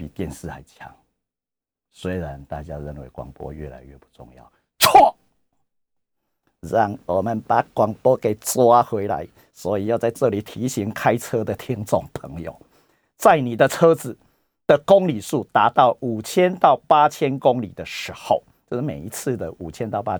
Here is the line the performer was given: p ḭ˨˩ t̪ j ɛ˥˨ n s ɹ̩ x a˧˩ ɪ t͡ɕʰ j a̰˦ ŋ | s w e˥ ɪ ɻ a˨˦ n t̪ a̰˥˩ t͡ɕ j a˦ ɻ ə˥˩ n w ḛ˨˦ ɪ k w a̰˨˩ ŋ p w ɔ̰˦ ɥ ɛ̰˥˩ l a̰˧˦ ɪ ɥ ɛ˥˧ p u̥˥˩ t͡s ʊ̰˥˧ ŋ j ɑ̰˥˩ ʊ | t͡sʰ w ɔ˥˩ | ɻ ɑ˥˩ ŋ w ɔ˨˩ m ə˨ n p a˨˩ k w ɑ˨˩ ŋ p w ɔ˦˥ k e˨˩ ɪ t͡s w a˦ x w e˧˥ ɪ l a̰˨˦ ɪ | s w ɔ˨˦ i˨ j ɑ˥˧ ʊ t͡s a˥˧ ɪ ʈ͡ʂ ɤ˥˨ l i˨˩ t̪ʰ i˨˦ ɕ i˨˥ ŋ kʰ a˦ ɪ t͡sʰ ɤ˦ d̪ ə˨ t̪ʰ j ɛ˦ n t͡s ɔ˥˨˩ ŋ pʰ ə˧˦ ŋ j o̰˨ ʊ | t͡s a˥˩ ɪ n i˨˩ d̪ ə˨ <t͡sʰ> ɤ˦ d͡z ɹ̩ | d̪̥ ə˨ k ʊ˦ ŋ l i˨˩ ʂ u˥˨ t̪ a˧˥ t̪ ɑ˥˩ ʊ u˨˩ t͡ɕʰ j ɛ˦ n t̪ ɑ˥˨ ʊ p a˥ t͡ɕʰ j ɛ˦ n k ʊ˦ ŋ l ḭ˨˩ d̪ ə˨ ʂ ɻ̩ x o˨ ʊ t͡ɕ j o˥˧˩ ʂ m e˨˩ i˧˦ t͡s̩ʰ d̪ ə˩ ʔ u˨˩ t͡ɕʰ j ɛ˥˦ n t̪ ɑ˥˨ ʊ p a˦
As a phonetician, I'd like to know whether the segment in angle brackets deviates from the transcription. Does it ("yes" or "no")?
no